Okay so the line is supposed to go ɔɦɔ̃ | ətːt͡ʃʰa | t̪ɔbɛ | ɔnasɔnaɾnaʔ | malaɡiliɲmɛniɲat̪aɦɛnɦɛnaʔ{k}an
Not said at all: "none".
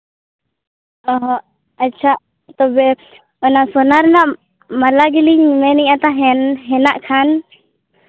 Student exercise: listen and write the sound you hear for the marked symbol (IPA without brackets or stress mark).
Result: kʰ